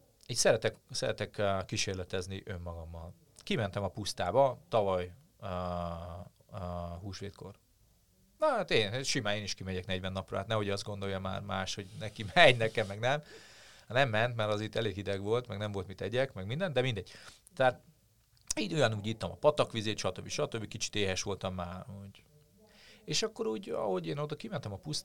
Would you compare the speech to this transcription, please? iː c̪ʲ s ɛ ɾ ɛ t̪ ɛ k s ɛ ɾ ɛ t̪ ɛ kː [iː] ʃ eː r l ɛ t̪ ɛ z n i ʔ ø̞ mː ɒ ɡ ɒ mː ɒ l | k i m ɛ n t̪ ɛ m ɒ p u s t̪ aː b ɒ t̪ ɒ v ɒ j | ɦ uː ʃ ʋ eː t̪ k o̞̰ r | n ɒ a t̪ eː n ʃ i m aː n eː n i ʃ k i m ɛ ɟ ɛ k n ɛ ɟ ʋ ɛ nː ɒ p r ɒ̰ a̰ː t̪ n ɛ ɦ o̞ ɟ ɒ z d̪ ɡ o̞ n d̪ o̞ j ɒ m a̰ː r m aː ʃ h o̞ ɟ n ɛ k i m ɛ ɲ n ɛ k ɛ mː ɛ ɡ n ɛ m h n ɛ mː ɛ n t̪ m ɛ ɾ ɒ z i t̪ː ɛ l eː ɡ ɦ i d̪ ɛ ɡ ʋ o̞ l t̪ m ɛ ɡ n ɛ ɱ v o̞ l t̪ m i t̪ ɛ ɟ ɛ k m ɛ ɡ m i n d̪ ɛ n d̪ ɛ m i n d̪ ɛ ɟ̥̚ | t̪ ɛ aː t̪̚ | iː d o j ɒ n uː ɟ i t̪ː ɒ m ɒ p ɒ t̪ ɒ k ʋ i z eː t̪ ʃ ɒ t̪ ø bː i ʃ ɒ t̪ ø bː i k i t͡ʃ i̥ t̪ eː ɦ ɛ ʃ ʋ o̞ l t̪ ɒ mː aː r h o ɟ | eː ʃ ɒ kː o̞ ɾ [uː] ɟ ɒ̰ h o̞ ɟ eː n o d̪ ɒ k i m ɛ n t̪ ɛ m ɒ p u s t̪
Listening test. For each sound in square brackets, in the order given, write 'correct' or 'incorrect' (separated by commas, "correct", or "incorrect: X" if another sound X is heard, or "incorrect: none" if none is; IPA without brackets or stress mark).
incorrect: i, correct